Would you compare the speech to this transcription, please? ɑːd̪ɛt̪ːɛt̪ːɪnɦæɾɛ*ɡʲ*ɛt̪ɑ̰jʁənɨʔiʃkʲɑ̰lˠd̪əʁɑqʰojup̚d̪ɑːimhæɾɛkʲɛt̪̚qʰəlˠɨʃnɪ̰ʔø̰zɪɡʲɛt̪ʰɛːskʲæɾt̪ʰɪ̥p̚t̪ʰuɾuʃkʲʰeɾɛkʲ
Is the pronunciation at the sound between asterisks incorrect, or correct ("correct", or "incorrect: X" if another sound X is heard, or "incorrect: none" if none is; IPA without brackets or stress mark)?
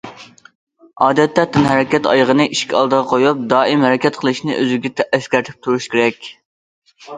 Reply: incorrect: kʲ